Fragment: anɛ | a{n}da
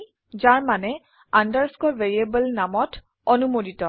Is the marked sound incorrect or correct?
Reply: correct